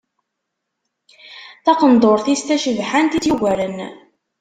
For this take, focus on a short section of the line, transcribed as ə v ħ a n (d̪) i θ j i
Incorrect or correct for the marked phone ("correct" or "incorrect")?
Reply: incorrect